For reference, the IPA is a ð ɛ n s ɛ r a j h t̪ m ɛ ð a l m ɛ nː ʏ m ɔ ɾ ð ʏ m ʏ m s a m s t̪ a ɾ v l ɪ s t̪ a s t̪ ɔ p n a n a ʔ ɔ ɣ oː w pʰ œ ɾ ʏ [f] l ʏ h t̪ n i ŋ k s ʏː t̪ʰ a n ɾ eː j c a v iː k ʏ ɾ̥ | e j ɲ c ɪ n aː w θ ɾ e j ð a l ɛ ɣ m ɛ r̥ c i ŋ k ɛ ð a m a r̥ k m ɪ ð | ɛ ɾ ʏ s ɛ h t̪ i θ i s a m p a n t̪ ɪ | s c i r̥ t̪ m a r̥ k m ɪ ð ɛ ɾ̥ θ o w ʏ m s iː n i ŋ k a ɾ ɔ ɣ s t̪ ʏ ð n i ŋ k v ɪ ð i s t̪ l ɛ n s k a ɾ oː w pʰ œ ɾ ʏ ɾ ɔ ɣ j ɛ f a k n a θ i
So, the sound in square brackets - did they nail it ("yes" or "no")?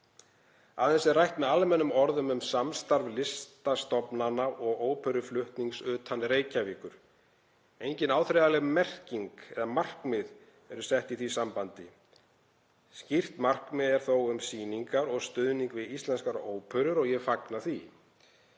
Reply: yes